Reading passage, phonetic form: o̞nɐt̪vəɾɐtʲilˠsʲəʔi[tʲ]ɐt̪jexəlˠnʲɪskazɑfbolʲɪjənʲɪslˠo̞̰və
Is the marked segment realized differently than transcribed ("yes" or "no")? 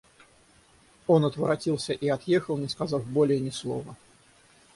yes